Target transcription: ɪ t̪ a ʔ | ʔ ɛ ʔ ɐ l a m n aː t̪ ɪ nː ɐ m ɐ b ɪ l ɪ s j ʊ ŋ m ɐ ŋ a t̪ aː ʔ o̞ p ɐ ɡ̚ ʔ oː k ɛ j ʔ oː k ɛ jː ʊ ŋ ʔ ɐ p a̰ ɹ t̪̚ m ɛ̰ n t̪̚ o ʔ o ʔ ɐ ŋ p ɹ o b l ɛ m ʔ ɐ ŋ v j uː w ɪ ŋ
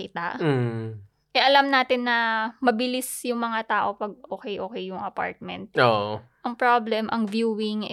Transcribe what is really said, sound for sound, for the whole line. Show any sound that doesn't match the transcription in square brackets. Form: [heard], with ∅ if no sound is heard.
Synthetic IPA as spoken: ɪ t̪ a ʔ | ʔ ɛ ʔ ɐ l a m n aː t̪ ɪ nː ɐ m ɐ b ɪ l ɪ s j ʊ ŋ m ɐ ŋ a t̪ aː ʔ o̞ p ɐ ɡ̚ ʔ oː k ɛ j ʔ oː k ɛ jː ʊ ŋ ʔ ɐ p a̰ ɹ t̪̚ m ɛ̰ n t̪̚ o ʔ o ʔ ɐ ŋ p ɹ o b l ɛ m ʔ ɐ ŋ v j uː w ɪ ŋ